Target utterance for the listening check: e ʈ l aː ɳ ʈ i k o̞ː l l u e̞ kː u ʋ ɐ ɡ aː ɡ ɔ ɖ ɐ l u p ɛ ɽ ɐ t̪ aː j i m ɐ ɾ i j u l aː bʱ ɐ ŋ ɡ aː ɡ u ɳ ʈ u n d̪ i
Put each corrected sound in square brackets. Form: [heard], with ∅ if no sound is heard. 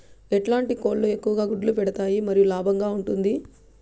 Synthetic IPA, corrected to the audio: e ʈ l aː ɳ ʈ i k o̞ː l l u e̞ kː u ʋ ɐ ɡ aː ɡ [u] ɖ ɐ l u p ɛ ɽ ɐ t̪ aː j i m ɐ ɾ i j u l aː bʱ ɐ ŋ ɡ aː [∅] u ɳ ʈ u n d̪ i